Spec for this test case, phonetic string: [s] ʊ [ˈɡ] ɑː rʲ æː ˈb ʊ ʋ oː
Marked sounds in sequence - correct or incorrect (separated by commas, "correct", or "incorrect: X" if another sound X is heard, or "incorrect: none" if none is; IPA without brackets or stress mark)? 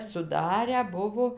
correct, incorrect: d